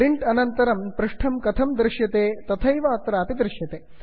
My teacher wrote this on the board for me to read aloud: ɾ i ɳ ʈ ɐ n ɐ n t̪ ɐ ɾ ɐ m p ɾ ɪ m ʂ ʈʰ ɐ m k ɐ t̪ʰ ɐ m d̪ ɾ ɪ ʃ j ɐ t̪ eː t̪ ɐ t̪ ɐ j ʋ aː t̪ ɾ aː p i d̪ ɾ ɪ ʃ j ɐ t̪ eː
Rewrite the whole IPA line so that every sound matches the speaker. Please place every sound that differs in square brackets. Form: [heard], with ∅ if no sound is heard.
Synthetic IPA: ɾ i ɳ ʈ ɐ n ɐ n t̪ ɐ ɾ ɐ m p ɾ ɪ [∅] ʂ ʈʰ ɐ m k ɐ t̪ʰ ɐ m d̪ ɾ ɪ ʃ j ɐ t̪ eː t̪ ɐ [t̪ʰ] ɐ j ʋ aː t̪ ɾ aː p i d̪ ɾ ɪ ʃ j ɐ t̪ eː

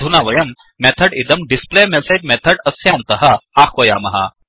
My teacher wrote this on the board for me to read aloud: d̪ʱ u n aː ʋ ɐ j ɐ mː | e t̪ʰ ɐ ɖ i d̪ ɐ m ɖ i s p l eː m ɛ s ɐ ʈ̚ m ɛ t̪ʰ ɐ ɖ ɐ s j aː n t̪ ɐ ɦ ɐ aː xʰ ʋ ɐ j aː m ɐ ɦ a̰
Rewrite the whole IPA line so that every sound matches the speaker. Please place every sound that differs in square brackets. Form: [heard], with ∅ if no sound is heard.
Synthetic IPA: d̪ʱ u n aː ʋ ɐ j ɐ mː | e t̪ʰ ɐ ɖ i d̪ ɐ m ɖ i s p l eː m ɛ s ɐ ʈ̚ m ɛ t̪ʰ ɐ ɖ ɐ s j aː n t̪ ɐ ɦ ɐ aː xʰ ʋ ɐ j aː m ɐ ɦ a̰

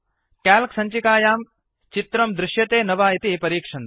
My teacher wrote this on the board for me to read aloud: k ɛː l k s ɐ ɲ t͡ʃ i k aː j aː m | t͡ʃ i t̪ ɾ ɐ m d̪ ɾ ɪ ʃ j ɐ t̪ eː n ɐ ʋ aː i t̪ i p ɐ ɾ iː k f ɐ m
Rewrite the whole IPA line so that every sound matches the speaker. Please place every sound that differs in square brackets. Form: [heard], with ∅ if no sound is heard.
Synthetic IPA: k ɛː l k s ɐ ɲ t͡ʃ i k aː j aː m | t͡ʃ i t̪ ɾ ɐ m d̪ ɾ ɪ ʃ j ɐ t̪ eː n ɐ ʋ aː i t̪ i p ɐ ɾ iː k [ʂ] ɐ [n]

